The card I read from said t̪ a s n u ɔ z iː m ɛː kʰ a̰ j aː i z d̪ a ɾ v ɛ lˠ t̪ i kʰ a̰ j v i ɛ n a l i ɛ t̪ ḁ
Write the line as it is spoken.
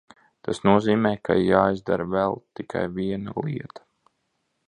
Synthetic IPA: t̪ a s n u ɔ z iː m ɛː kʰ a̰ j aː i z d̪ a ɾ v ɛ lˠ t̪ i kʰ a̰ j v i ɛ n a l i ɛ t̪ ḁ